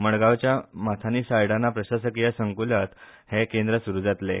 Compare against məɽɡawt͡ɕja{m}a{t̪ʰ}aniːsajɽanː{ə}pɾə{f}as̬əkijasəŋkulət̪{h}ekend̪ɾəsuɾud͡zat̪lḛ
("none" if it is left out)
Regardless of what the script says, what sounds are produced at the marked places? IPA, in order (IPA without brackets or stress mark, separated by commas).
m, t̪ʰ, a, ɕ, h